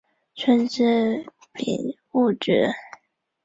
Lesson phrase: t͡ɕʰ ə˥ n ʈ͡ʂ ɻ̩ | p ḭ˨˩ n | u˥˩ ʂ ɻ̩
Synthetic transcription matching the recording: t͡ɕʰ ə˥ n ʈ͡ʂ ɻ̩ | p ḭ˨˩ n | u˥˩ ʈ͡ʂ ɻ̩